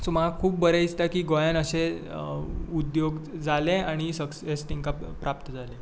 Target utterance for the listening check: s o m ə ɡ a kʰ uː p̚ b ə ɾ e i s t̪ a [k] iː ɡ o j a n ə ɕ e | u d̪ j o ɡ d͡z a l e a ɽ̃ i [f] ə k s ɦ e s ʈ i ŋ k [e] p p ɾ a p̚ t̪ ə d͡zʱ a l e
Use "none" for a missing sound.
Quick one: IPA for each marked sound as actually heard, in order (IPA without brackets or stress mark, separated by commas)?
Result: k, s, a